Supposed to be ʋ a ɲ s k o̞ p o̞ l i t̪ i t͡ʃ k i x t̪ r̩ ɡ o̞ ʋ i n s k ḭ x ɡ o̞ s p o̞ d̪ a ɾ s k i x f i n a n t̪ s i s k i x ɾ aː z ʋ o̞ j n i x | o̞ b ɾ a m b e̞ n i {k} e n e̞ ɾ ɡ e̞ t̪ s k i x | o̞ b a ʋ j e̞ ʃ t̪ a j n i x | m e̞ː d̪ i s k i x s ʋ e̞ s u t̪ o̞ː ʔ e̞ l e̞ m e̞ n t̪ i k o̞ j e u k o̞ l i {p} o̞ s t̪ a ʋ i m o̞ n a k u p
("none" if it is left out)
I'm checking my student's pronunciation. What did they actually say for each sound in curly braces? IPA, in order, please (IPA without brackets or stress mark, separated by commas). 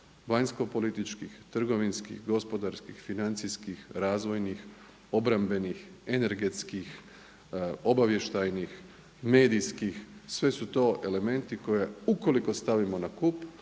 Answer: x, k